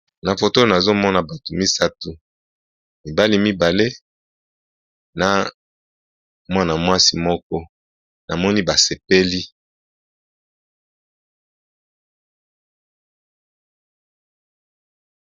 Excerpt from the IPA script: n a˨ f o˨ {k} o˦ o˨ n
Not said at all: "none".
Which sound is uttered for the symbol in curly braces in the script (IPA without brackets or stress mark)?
t